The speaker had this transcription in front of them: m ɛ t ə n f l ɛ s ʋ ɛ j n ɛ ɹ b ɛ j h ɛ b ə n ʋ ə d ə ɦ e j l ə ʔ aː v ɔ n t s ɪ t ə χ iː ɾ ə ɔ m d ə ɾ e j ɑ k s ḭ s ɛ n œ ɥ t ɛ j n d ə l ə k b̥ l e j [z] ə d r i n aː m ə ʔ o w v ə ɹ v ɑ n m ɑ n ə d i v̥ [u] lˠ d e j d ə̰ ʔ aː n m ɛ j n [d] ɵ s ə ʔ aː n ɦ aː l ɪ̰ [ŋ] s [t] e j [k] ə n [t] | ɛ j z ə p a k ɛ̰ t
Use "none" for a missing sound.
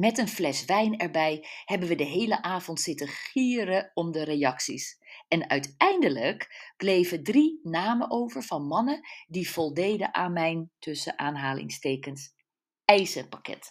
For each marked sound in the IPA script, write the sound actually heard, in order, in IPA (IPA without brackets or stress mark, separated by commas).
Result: v, ɔ, t, ŋ, t, k, s